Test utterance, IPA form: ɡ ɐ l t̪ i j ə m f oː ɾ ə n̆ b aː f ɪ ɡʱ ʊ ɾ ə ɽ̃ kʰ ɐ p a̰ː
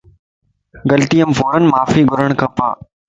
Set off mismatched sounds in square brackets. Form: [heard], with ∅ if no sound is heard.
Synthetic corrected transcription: ɡ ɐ l t̪ i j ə m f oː ɾ ə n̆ [m] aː f [i] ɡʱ ʊ ɾ ə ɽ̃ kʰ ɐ p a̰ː